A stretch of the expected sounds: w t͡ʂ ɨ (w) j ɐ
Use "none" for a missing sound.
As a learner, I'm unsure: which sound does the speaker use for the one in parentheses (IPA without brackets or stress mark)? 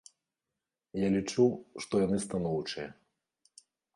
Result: none